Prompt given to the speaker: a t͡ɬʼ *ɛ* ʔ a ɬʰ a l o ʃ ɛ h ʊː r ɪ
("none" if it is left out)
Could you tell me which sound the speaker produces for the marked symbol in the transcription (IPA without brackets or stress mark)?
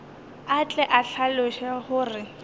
ɛ